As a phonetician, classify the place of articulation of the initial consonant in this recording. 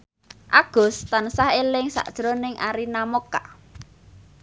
glottal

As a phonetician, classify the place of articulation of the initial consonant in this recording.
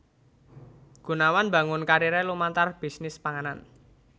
velar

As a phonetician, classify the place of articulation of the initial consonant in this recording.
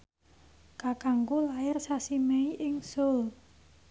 velar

